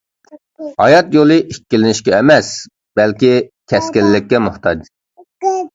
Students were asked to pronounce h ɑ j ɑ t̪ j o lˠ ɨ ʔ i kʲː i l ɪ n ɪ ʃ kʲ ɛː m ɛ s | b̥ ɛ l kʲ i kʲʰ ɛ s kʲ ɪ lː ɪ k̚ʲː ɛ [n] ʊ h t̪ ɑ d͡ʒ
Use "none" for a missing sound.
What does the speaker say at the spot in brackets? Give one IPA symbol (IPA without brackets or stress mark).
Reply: m